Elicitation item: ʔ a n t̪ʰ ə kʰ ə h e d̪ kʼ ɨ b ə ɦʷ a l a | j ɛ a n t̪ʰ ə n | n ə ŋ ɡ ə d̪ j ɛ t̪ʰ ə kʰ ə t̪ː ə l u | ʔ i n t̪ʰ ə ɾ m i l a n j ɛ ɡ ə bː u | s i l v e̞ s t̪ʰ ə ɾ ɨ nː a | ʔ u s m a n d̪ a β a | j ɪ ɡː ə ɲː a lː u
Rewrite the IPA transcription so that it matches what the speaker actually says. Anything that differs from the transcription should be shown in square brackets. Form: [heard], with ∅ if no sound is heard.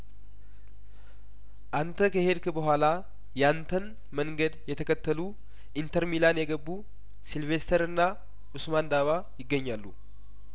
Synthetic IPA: ʔ a n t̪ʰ ə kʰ ə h e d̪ [k] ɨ b ə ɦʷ a l a | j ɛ a n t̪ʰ ə n | [m] ə ŋ ɡ ə d̪ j ɛ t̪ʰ ə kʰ ə t̪ː ə l u | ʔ i n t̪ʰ ə ɾ m i l a n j ɛ ɡ ə bː u | s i l v e̞ s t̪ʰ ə ɾ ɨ nː a | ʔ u s m a n d̪ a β a | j ɪ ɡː ə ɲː a lː u